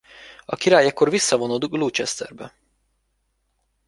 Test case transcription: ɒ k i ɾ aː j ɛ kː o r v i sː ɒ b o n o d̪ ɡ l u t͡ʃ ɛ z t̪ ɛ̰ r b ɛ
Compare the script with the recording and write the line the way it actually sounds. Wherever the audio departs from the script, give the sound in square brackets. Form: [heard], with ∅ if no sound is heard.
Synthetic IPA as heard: ɒ k i ɾ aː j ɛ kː o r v i sː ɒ [v] o n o d̪ ɡ l u t͡ʃ ɛ [s] t̪ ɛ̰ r b ɛ